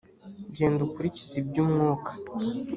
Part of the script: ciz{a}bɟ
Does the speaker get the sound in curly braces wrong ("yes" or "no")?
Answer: yes